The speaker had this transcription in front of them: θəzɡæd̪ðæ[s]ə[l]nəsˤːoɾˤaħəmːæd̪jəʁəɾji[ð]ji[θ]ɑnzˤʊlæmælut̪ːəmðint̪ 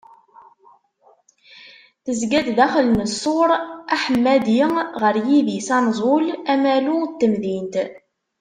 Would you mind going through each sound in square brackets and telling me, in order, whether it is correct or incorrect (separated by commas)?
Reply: incorrect, correct, correct, incorrect